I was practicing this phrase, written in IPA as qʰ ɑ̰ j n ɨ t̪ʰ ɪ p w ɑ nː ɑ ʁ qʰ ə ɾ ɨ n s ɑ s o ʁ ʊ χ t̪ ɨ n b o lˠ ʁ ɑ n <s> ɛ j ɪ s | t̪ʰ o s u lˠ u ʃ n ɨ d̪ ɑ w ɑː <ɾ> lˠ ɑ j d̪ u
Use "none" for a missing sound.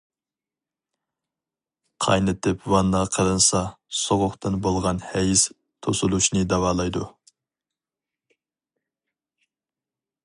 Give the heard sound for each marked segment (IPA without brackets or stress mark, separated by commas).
h, none